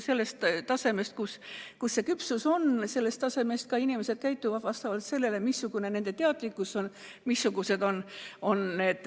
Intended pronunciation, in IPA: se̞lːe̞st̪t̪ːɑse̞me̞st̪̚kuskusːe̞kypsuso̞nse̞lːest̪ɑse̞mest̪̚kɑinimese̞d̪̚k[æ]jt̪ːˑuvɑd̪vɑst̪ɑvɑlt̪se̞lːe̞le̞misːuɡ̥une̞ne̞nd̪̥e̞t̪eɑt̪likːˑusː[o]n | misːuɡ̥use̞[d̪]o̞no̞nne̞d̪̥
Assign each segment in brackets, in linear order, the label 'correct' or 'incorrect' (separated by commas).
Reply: correct, correct, correct